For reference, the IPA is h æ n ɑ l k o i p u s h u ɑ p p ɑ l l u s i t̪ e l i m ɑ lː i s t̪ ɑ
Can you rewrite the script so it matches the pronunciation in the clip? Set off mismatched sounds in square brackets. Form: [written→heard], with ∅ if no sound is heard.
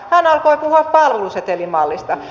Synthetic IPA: h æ n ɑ l k o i p u [s→∅] h u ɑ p p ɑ l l u s [i→e] t̪ e l i m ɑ lː i s t̪ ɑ